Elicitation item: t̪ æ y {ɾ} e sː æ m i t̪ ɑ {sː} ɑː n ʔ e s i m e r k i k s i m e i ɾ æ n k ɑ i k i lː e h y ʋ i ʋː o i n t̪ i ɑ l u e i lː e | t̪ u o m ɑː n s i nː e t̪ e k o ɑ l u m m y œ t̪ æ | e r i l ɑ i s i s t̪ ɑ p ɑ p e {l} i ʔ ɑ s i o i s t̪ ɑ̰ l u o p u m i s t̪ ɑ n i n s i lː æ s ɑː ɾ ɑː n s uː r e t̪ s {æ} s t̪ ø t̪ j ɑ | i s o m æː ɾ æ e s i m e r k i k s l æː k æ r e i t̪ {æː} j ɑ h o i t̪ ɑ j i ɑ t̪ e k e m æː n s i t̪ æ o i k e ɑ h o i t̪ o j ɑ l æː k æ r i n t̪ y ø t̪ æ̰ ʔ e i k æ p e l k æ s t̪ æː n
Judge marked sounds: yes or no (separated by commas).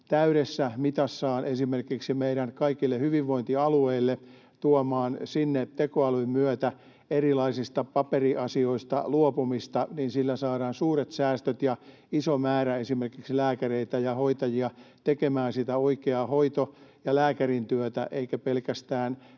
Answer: yes, yes, no, no, no